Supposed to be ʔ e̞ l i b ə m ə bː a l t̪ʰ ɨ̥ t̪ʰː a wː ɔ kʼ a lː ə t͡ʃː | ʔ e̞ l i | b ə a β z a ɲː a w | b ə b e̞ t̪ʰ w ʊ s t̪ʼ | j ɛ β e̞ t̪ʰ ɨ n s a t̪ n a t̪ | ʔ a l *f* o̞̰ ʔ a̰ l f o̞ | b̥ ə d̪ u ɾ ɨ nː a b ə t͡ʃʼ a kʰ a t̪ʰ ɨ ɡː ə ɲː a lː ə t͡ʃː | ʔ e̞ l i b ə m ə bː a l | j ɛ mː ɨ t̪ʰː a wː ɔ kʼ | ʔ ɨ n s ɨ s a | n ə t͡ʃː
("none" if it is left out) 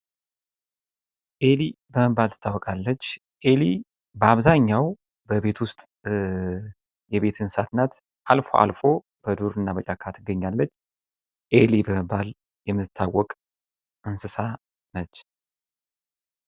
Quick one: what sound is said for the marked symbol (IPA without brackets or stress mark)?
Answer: f